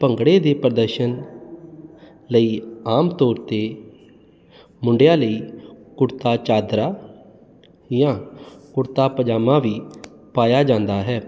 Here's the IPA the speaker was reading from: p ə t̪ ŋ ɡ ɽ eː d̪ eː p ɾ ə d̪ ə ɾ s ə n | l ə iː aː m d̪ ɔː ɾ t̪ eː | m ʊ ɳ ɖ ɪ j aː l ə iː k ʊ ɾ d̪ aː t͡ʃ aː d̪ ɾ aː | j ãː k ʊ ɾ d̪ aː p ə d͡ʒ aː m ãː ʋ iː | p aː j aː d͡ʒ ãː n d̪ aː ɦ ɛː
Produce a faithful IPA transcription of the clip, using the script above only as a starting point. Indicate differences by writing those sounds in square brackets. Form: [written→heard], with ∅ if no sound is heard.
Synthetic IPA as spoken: p ə [t̪→∅] ŋ ɡ ɽ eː d̪ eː p ɾ ə d̪ ə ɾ [s→ʃ] ə n | l ə iː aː m [d̪→t̪] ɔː ɾ t̪ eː | m ʊ ɳ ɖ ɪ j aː l ə iː k ʊ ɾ [d̪→t̪] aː t͡ʃ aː d̪ ɾ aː | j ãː k ʊ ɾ [d̪→t̪] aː p ə d͡ʒ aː m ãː ʋ iː | p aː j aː d͡ʒ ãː n d̪ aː ɦ ɛː

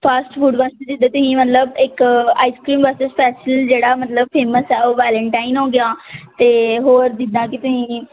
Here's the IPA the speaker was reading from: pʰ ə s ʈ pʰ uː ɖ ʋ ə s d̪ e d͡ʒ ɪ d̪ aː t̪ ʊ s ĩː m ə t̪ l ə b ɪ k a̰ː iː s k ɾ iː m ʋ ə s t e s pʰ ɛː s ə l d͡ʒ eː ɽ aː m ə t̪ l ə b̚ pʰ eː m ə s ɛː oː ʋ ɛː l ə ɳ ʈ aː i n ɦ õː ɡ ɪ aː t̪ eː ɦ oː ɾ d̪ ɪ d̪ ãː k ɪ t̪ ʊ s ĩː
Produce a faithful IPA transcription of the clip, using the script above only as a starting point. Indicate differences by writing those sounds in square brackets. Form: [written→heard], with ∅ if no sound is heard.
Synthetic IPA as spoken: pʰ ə s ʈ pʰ uː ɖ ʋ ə s [d̪→t̪] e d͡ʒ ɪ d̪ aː t̪ ʊ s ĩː m ə t̪ l ə b ɪ k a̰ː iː s k ɾ iː m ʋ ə s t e s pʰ ɛː s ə l d͡ʒ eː ɽ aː m ə t̪ l ə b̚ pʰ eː m ə s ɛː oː ʋ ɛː l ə ɳ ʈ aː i n ɦ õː ɡ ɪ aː t̪ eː ɦ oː ɾ d̪ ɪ d̪ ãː k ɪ t̪ ʊ s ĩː

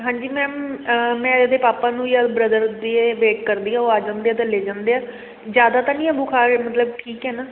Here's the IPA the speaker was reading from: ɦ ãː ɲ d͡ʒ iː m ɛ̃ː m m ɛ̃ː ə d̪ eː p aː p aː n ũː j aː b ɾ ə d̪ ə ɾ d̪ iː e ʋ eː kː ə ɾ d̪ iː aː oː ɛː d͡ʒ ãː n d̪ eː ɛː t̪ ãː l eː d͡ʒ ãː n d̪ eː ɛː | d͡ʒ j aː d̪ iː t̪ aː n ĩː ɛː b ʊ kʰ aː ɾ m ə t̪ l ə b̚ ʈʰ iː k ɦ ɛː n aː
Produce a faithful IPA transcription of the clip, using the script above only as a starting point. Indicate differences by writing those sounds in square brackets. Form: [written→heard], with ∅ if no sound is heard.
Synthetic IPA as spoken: ɦ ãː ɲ d͡ʒ iː m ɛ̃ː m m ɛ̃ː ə d̪ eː p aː p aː n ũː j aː b ɾ ə d̪ ə ɾ d̪ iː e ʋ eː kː ə ɾ d̪ iː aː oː [ɛː→aː] d͡ʒ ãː n d̪ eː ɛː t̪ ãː l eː d͡ʒ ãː n d̪ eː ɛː | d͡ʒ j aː d̪ [iː→aː] t̪ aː n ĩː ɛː b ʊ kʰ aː ɾ m ə t̪ l ə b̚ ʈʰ iː k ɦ ɛː n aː

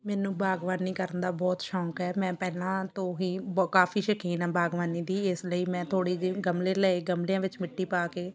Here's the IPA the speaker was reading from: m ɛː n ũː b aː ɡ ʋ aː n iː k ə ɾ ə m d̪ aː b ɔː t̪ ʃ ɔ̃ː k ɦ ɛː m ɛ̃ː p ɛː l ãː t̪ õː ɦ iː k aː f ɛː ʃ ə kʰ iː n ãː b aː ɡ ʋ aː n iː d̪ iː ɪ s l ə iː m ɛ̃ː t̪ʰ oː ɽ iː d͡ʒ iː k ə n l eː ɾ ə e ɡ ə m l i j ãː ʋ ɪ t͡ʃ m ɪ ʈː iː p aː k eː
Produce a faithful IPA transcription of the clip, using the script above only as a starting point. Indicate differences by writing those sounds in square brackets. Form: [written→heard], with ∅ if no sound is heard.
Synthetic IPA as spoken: m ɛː n ũː b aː ɡ ʋ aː n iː k ə ɾ ə [m→n] d̪ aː b ɔː t̪ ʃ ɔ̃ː k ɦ ɛː m ɛ̃ː p ɛː l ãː t̪ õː ɦ iː k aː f [ɛː→iː] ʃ ə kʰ iː n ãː b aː ɡ ʋ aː n iː d̪ iː ɪ s l ə iː m ɛ̃ː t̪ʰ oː ɽ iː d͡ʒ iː [k→ɡ] ə [n→m] l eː [ɾ→l] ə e ɡ ə m l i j ãː ʋ ɪ t͡ʃ m ɪ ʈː iː p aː k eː

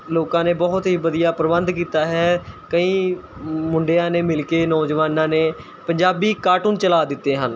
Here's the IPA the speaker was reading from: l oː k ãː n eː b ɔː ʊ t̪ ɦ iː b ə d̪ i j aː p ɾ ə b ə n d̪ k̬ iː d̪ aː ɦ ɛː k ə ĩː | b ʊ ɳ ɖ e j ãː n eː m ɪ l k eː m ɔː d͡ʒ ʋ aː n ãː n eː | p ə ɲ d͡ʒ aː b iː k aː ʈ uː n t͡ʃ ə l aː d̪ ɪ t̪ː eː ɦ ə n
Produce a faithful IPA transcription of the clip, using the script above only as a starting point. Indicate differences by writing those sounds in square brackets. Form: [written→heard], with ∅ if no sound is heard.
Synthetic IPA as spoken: l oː k ãː n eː b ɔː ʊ t̪ ɦ iː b ə d̪ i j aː p ɾ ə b ə n d̪ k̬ iː [d̪→t̪] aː ɦ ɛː k ə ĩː | [b→m] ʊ ɳ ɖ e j ãː n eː m ɪ l k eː [m→n] ɔː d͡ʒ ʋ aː n ãː n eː | p ə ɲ d͡ʒ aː b iː k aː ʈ uː n t͡ʃ ə l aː d̪ ɪ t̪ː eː ɦ ə n

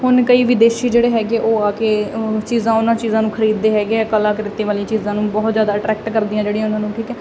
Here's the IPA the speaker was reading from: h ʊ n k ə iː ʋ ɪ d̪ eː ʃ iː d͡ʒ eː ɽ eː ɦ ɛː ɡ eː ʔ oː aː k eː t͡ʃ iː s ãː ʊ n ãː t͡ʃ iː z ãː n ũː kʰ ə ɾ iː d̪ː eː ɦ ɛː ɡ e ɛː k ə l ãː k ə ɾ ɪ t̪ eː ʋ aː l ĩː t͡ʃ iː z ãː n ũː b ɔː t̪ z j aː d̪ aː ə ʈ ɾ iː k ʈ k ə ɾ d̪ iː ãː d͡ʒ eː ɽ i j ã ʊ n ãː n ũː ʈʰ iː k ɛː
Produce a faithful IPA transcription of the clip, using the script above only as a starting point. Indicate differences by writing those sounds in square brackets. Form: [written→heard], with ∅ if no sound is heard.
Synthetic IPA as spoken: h ʊ n k ə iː ʋ ɪ d̪ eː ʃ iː d͡ʒ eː ɽ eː ɦ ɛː ɡ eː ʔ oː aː k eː t͡ʃ iː [s→z] ãː ʊ n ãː t͡ʃ iː z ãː n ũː kʰ ə ɾ iː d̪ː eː ɦ ɛː ɡ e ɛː k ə l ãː k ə ɾ ɪ t̪ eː ʋ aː l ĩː t͡ʃ iː z ãː n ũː b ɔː t̪ z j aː d̪ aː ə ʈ ɾ [iː→ɛː] k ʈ k ə ɾ d̪ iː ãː d͡ʒ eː ɽ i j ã ʊ n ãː n ũː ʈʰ iː k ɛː

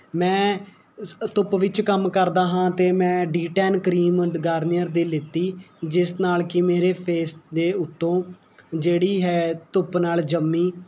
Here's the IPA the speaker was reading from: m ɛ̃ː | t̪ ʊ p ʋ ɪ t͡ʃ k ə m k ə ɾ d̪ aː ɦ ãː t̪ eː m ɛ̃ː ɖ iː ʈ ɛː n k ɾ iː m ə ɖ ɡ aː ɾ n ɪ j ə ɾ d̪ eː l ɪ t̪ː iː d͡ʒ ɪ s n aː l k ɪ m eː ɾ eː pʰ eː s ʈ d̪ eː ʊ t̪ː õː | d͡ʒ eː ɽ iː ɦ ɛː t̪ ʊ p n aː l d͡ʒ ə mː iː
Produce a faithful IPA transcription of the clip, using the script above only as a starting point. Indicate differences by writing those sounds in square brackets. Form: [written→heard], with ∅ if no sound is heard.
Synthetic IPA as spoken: m ɛ̃ː | t̪ ʊ p ʋ ɪ t͡ʃ k ə m k ə ɾ d̪ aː ɦ ãː t̪ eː m ɛ̃ː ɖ iː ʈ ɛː n k ɾ iː m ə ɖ ɡ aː ɾ n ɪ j ə ɾ d̪ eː l ɪ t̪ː iː d͡ʒ ɪ s n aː l k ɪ m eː ɾ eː pʰ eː s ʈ d̪ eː ʊ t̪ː õː | d͡ʒ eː ɽ iː ɦ ɛː t̪ ʊ p n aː l d͡ʒ ə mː iː

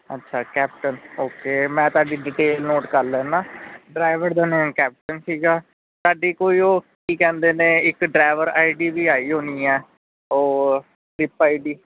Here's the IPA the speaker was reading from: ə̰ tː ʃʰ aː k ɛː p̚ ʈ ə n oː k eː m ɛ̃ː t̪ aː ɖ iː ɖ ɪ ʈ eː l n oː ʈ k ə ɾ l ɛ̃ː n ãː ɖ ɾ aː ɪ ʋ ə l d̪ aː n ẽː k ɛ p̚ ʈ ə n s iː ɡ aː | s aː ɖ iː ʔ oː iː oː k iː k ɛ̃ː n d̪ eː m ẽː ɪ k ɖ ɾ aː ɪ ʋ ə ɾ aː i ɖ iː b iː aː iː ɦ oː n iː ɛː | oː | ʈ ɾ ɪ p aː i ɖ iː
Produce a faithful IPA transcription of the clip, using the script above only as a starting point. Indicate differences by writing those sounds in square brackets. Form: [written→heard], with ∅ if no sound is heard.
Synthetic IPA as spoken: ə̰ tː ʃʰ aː k ɛː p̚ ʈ ə n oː k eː m ɛ̃ː t̪ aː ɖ iː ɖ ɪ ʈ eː l n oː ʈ k ə ɾ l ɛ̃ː n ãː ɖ ɾ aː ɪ ʋ ə [l→ɾ] d̪ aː n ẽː k [ɛ→ɛː] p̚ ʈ ə n s iː ɡ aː | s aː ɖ iː [ʔ→k] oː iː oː k iː k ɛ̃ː n d̪ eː [m→n] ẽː ɪ k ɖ ɾ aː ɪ ʋ ə ɾ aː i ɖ iː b iː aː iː ɦ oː n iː ɛː | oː | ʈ ɾ ɪ p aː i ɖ iː

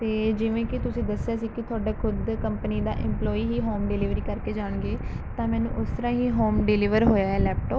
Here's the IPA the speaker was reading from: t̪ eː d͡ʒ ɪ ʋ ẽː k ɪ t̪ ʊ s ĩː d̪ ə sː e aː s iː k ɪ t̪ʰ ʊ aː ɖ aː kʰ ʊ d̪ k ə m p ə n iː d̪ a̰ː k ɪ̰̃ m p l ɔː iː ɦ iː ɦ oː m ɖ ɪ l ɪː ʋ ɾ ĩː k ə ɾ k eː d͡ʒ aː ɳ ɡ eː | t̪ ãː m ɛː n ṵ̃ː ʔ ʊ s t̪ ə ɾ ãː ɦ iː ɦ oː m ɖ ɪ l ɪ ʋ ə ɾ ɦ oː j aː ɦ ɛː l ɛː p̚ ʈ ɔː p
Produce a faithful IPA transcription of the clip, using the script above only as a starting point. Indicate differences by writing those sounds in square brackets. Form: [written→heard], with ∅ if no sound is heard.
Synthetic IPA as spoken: t̪ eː d͡ʒ ɪ ʋ ẽː k ɪ t̪ ʊ s ĩː d̪ ə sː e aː s iː k ɪ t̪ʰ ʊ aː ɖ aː kʰ ʊ d̪ k ə m p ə n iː d̪ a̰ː [k→ʔ] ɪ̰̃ m p l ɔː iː ɦ iː ɦ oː m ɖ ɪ l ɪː ʋ ɾ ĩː k ə ɾ k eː d͡ʒ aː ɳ ɡ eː | t̪ ãː m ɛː n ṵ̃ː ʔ ʊ s t̪ ə ɾ ãː ɦ iː ɦ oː m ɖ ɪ l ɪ ʋ ə ɾ ɦ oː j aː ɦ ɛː l ɛː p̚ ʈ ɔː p

